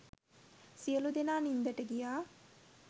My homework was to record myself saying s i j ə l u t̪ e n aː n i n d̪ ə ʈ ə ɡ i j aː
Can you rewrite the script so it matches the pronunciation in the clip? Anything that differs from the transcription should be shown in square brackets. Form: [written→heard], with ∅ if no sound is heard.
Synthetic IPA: s i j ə l u [t̪→d̪] e n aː n i n d̪ ə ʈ ə ɡ i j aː